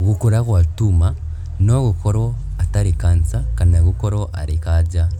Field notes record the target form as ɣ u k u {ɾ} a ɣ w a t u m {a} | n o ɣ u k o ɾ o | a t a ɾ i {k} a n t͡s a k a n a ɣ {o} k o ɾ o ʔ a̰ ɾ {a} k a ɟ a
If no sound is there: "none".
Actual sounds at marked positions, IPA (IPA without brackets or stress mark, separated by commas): ɾ, a, k, u, i